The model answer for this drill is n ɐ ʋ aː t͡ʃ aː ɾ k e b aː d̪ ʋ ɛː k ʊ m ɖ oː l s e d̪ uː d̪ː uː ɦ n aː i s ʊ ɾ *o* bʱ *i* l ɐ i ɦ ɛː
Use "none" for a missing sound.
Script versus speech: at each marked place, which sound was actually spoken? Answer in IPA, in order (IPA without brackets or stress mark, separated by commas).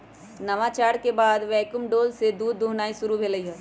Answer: u, e